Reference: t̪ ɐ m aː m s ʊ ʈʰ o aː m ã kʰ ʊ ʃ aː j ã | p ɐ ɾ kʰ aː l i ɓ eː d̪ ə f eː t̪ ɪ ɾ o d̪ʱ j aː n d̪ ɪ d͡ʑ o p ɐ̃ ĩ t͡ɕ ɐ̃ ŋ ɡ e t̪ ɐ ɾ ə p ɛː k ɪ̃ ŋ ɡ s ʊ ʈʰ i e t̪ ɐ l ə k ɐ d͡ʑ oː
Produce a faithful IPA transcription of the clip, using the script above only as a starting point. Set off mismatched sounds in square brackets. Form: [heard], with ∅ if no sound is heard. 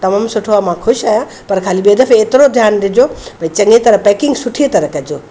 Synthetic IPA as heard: t̪ ɐ m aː m s ʊ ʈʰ o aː m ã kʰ ʊ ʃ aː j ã | p ɐ ɾ kʰ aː l i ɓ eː d̪ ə f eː t̪ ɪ ɾ o d̪ʱ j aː n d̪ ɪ d͡ʑ o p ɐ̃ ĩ t͡ɕ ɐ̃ ŋ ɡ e t̪ ɐ ɾ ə p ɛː k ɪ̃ ŋ ɡ s ʊ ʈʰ i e t̪ ɐ [ɾ] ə k ɐ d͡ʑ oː

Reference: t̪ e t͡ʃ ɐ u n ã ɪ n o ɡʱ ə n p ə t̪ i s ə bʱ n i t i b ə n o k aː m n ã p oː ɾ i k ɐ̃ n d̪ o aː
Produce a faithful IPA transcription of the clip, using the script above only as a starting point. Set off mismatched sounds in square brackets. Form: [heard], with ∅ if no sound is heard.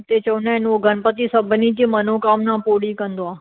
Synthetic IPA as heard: t̪ e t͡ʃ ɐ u n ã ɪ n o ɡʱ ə n p ə t̪ i s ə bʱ n i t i [m] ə n o k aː m n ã p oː [ɽ] i k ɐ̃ n d̪ o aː

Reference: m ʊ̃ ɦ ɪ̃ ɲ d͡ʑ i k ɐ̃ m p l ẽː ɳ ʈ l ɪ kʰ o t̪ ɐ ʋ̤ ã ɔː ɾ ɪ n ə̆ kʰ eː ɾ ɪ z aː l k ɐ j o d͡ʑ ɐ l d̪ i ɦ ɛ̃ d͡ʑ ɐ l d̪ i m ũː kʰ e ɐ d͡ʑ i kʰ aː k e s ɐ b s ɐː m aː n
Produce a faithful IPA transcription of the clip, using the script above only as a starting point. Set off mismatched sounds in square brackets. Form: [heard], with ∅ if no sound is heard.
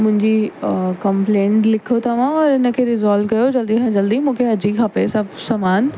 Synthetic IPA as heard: m ʊ̃ ɦ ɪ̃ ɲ d͡ʑ i k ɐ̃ m p l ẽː ɳ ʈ l ɪ kʰ o t̪ ɐ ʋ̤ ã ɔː ɾ ɪ n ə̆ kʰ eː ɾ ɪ z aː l k ɐ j o d͡ʑ ɐ l d̪ i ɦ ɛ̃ d͡ʑ ɐ l d̪ i m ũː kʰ e ɐ d͡ʑ i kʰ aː [p] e s ɐ b s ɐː m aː n

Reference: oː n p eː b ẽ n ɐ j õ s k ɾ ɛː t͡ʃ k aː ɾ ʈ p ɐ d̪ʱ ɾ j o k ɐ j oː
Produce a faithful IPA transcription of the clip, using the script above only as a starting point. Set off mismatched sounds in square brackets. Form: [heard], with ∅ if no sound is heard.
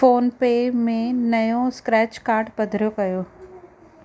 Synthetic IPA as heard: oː n p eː [m] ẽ n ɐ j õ s k ɾ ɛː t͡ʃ k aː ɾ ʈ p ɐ d̪ʱ ɾ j o k ɐ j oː

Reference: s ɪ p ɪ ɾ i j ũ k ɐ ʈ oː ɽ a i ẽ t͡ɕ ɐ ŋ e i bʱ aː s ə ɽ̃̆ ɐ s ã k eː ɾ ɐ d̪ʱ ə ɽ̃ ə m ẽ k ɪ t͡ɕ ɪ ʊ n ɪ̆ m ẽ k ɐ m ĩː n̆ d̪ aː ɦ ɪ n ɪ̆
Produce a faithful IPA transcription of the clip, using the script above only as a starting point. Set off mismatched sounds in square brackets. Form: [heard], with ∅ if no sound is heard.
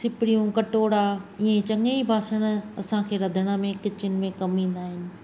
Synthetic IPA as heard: s ɪ p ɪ [ɽ] i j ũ k ɐ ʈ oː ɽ a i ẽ t͡ɕ ɐ ŋ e i bʱ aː s ə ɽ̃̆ ɐ s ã [kʰ] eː ɾ ɐ d̪ʱ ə ɽ̃ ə m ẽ k ɪ t͡ɕ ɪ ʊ n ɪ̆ m ẽ k ɐ m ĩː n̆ d̪ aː ɦ ɪ n ɪ̆

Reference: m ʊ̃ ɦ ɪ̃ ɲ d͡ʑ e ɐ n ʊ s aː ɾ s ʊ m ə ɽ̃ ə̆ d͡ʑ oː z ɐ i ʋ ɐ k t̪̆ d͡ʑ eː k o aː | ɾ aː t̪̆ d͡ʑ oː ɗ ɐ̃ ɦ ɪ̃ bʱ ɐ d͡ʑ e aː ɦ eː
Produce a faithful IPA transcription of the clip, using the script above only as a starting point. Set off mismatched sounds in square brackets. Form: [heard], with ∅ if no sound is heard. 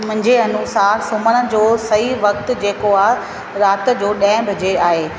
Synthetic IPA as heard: m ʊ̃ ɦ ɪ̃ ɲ d͡ʑ e ɐ n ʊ s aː ɾ s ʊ m ə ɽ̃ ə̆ d͡ʑ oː [s] ɐ i ʋ ɐ k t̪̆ d͡ʑ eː k o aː | ɾ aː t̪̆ d͡ʑ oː ɗ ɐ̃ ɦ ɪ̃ bʱ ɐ d͡ʑ e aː ɦ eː

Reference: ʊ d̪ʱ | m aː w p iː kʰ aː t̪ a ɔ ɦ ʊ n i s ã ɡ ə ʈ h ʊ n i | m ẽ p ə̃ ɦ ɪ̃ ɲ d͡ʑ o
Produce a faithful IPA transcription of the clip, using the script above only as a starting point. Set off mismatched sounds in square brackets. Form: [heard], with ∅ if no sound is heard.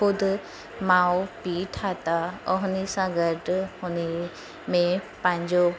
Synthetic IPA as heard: ʊ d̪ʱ | m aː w p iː [ʈʰ] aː t̪ a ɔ ɦ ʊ n i s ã ɡ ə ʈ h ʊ n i | m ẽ p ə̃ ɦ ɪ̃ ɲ d͡ʑ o

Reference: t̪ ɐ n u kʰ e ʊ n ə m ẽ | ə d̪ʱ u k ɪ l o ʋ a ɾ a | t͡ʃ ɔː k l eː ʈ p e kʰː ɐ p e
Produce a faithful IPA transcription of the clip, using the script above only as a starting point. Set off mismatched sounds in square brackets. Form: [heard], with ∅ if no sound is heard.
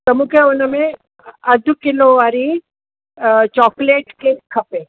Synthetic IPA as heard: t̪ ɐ [m] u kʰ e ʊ n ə m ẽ | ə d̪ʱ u k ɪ l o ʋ a ɾ [i] | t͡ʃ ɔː k l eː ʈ [k] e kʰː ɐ p e

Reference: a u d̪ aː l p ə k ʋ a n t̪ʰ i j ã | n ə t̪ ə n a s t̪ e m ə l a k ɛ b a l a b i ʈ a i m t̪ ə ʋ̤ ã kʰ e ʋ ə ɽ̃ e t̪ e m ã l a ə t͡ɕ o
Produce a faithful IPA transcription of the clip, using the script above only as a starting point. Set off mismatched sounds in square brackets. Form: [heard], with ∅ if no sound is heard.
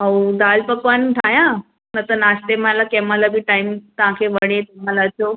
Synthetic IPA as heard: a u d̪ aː l p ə k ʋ a n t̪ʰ [a] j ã | n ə t̪ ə n a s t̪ e m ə l a k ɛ [m] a l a b i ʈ a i m t̪ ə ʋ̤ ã kʰ e ʋ ə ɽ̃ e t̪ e m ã l a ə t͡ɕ o

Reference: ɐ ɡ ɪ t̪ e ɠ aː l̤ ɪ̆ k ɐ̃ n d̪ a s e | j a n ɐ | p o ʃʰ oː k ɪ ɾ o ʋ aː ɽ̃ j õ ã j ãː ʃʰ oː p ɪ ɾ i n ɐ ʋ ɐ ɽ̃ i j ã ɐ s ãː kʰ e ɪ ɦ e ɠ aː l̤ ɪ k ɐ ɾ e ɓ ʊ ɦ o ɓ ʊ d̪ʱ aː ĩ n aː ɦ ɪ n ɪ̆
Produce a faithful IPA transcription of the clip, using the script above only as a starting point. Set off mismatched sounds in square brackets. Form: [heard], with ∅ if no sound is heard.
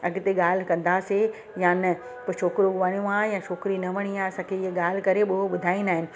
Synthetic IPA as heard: ɐ ɡ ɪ t̪ e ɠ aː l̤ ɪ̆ k ɐ̃ n d̪ a s e | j a n ɐ | p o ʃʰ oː k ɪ ɾ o ʋ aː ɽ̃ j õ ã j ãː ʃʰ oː [k] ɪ ɾ i n ɐ ʋ ɐ ɽ̃ i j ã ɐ s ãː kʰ e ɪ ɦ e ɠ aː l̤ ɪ k ɐ ɾ e ɓ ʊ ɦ o ɓ ʊ d̪ʱ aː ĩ n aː ɦ ɪ n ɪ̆

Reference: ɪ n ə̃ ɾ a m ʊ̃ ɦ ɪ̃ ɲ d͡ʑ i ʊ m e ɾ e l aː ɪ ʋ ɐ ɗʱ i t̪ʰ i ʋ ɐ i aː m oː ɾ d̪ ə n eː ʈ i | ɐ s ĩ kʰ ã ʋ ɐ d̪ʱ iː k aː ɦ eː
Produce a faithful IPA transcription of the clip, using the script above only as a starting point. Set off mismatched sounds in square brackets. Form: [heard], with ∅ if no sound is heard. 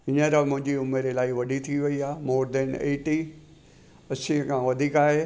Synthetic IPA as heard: ɪ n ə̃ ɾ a m ʊ̃ ɦ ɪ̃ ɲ d͡ʑ i ʊ m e ɾ e l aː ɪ ʋ ɐ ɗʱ i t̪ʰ i ʋ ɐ i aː m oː ɾ d̪ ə n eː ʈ i | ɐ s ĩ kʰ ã ʋ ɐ d̪ʱ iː k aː ɦ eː

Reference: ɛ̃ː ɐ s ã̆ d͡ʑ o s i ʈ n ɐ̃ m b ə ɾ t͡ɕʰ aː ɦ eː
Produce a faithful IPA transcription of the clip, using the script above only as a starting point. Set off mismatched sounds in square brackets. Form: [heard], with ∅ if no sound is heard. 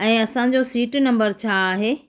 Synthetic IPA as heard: ɛ̃ː ɐ s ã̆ d͡ʑ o s [iː] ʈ n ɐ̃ m b ə ɾ t͡ɕʰ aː ɦ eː

